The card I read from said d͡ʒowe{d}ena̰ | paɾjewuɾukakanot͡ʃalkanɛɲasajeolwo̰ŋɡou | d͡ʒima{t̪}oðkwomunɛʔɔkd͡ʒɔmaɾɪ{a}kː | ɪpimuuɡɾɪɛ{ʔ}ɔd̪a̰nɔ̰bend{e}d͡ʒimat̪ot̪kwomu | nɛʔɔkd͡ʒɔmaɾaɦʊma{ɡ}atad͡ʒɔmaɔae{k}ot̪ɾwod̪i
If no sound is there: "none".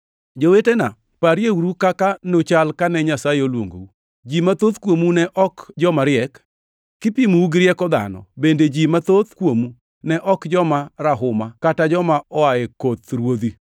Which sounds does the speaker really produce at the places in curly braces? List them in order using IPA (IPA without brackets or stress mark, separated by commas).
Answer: t, t̪, ɛ, k, e, k, k